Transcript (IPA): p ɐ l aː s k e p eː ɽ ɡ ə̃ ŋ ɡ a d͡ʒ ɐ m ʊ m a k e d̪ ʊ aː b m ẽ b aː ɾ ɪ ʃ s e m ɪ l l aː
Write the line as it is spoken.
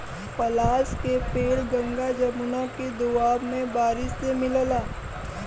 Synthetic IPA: p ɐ l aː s k e p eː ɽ ɡ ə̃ ŋ ɡ a d͡ʒ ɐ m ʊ n a k e d̪ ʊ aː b m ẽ b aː ɾ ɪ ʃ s e m ɪ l l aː

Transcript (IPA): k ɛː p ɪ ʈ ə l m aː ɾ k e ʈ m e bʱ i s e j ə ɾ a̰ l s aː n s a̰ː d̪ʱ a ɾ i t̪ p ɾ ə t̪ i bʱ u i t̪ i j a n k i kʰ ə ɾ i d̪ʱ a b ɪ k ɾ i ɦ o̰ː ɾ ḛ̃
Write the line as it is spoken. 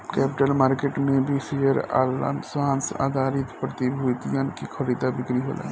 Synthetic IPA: k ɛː p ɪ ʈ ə l m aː ɾ k e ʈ m e bʱ i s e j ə ɾ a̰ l s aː n s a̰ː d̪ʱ a ɾ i t̪ p ɾ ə t̪ i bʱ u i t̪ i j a n k i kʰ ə ɾ i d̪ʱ a b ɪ k ɾ i ɦ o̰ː l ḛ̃

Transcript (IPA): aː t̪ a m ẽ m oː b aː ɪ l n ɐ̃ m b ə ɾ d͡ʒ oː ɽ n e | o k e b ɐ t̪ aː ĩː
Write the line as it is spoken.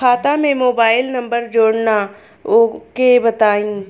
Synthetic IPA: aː t̪ a m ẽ m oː b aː ɪ l n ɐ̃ m b ə ɾ d͡ʒ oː ɽ n a | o k e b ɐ t̪ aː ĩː

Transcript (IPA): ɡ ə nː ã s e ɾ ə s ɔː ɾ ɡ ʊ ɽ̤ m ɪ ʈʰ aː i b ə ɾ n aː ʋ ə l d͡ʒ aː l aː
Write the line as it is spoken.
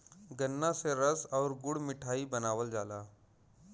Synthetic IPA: ɡ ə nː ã s e ɾ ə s ɔː ɾ ɡ ʊ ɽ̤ m ɪ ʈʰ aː i b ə n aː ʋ ə l d͡ʒ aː l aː

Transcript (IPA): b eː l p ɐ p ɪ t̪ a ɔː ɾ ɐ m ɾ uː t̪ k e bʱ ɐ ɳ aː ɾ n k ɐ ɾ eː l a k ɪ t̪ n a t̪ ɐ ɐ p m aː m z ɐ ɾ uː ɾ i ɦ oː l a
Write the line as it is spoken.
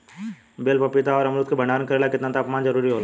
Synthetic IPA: b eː l p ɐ p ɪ t̪ a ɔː ɾ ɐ m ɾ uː t̪ k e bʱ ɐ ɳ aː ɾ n k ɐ ɾ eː l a k ɪ t̪ n a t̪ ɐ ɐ p m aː n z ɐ ɾ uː ɾ i ɦ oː l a

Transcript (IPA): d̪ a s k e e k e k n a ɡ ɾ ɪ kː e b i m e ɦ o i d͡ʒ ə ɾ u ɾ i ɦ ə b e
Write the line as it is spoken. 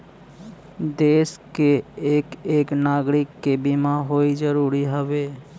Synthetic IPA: d̪ e s k e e k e k n a ɡ ɾ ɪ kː e b i m a ɦ o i d͡ʒ ə ɾ u ɾ i ɦ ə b e

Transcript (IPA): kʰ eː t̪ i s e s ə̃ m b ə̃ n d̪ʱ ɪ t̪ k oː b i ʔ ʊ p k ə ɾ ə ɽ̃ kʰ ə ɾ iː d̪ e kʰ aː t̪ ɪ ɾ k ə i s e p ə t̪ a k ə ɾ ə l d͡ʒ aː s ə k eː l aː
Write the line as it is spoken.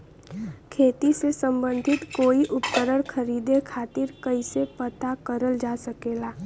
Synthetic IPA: kʰ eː t̪ i s e s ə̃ m b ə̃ n d̪ʱ ɪ t̪ k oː i ʔ ʊ p k ə ɾ ə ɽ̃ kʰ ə ɾ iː d̪ e kʰ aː t̪ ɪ ɾ k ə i s e p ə t̪ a k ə ɾ ə l d͡ʒ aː s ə k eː l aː

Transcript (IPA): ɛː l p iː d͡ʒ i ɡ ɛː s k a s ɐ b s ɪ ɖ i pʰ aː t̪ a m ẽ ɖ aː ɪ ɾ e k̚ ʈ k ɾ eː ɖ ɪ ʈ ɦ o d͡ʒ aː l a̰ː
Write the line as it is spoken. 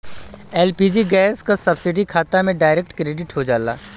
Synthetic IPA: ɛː l p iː d͡ʒ i ɡ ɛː s k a s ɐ b s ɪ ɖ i kʰ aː t̪ a m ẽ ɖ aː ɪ ɾ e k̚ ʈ k ɾ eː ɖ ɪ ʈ ɦ o d͡ʒ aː l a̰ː

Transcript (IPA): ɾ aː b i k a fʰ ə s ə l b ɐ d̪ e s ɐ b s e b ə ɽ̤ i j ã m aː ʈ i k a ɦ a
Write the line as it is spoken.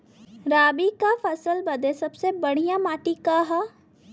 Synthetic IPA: ɾ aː b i k a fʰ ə s ə l b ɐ d̪ e s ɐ b s e b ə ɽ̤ i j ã m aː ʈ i k a ɦ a

